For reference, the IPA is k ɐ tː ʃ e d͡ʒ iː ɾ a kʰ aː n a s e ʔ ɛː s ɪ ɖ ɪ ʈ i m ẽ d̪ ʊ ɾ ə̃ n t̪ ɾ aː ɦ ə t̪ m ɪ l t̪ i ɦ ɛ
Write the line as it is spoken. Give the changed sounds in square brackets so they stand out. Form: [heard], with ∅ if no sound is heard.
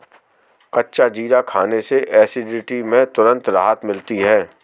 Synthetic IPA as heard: k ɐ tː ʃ [a] d͡ʒ iː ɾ a kʰ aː n [e] s e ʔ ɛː s ɪ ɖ ɪ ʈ i m ẽ [t̪] ʊ ɾ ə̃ n t̪ ɾ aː ɦ ə t̪ m ɪ l t̪ i ɦ [ɛː]